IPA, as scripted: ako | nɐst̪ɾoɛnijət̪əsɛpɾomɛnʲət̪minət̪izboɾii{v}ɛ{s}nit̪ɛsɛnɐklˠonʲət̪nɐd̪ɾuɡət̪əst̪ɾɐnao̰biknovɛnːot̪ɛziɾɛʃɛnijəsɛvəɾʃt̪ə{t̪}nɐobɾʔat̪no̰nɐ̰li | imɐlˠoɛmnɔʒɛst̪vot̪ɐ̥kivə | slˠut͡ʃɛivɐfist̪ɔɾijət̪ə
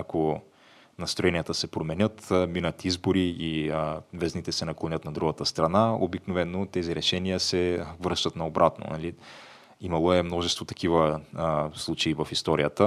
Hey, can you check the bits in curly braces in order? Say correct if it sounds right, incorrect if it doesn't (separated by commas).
correct, incorrect, correct